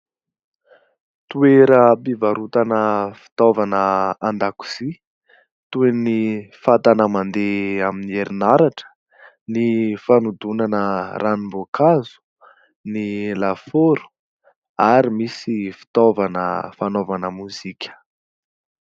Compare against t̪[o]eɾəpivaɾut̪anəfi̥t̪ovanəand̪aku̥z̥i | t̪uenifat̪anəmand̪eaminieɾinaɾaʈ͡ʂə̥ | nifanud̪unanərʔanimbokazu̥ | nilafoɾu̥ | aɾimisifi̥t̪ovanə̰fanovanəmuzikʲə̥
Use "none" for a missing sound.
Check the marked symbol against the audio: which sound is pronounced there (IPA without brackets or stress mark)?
u